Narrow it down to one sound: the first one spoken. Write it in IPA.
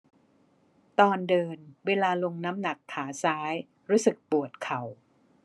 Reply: t̪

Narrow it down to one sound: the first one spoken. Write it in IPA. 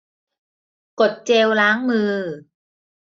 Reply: k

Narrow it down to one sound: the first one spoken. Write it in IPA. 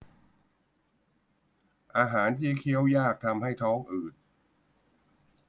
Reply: ʔ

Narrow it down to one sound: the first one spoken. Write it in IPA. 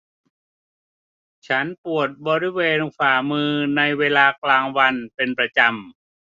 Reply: t͡ɕʰ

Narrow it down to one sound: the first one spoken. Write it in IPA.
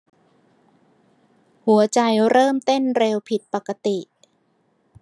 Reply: h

